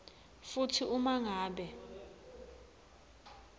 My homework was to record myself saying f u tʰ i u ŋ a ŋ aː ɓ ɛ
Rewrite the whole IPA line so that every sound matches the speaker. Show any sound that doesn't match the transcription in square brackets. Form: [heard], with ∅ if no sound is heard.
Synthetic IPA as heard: f u tʰ i u [m] a ŋ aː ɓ ɛ